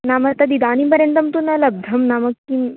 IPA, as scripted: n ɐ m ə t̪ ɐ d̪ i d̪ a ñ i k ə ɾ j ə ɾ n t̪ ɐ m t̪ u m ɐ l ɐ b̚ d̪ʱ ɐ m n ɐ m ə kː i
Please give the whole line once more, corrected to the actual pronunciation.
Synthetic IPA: n a m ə t̪ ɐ d̪ i d̪ a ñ i p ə ɾ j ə n t̪ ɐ m t̪ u n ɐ l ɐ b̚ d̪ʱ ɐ m n a m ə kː i